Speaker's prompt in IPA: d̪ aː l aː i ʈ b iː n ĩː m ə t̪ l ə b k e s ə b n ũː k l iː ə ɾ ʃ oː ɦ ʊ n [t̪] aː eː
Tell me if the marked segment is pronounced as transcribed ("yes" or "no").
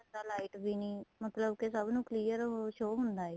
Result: no